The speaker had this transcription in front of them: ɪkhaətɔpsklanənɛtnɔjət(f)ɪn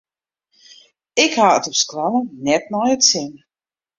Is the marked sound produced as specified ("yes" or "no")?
no